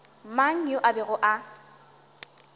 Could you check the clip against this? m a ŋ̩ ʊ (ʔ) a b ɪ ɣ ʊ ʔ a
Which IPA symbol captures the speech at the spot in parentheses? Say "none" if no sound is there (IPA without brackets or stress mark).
ʔ